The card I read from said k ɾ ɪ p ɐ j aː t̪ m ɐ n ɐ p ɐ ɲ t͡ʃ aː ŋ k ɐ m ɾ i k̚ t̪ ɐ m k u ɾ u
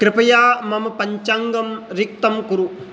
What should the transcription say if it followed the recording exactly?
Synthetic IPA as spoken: k ɾ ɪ p ɐ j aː m ɐ m ɐ p ɐ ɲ t͡ʃ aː ŋ ɡ ɐ m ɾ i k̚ t̪ ɐ m k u ɾ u